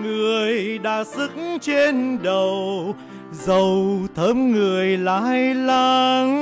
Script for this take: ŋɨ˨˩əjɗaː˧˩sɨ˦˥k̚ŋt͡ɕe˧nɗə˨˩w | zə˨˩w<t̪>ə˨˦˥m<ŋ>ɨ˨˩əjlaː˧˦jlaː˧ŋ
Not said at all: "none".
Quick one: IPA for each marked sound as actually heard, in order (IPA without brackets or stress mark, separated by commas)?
t̪ʰ, ŋ